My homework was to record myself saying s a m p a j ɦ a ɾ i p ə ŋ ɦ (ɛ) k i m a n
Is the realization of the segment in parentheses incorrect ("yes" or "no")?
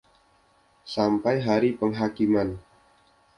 yes